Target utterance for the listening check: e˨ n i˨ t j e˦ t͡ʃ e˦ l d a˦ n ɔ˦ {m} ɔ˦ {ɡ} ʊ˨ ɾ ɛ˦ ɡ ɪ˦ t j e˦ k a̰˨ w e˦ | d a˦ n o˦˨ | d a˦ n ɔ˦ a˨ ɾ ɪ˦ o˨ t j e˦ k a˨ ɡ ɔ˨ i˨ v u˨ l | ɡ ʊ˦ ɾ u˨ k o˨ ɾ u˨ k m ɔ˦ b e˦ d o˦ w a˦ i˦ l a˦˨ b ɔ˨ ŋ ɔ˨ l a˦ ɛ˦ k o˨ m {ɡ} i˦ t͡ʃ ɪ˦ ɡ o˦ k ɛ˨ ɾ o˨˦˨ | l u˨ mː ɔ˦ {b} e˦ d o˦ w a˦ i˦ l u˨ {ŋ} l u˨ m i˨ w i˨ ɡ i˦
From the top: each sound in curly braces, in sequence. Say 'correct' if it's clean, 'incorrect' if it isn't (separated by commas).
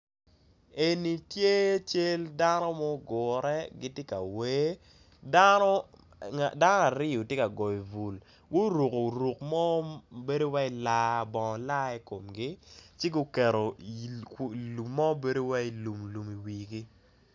correct, correct, correct, correct, incorrect